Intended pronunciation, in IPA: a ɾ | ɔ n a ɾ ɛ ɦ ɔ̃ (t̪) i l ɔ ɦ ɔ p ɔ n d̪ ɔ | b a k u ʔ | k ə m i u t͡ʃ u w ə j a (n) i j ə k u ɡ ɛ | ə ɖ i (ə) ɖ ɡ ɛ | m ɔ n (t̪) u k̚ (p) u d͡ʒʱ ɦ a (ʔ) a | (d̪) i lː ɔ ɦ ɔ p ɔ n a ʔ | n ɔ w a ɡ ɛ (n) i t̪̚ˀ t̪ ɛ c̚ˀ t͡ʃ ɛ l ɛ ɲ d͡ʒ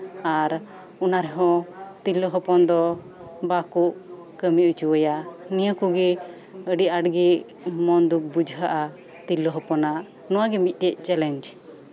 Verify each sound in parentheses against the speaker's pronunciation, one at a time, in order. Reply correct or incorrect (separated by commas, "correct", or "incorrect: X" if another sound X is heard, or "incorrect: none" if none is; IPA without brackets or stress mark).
correct, correct, incorrect: a, incorrect: d̪, incorrect: b, correct, incorrect: t̪, incorrect: m